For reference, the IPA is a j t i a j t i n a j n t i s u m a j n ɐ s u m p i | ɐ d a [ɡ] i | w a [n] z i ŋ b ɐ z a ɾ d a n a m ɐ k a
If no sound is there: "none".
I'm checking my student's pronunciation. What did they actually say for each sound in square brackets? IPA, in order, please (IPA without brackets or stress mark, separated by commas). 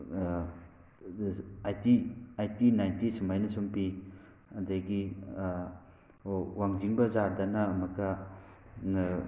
ɡ, ŋ